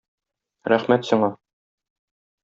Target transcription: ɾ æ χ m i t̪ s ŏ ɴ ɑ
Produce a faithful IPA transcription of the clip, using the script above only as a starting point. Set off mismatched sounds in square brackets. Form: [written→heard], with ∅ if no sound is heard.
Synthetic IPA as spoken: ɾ æ χ m [i→æ] t̪ s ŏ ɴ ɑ